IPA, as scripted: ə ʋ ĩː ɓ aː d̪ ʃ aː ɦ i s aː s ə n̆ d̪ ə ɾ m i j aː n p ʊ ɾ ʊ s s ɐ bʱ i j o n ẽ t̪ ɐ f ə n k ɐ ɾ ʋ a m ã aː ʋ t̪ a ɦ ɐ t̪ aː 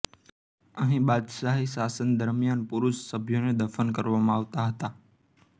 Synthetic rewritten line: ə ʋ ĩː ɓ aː d̪ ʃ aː ɦ i s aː s ə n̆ d̪ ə ɾ m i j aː n p ʊ ɾ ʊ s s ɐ bʱ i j o n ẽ d̪ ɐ f ə n k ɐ ɾ ʋ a m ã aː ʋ t̪ a ɦ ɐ t̪ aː